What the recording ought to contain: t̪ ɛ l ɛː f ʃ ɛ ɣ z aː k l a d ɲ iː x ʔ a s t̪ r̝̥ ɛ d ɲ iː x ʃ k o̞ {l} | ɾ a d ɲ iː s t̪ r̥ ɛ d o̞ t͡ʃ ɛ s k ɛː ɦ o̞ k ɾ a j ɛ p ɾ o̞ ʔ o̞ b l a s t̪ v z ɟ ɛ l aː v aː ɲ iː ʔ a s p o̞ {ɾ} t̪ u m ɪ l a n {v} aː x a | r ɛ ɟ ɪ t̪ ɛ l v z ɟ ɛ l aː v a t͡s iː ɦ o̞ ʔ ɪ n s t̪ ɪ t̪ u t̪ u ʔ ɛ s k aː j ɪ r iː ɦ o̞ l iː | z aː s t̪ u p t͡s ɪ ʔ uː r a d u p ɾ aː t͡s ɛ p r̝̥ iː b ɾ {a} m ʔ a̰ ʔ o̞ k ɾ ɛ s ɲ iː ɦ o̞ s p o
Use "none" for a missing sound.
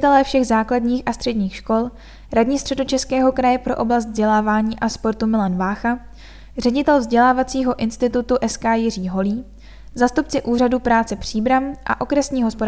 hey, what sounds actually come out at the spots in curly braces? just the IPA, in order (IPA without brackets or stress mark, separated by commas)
l, ɾ, v, a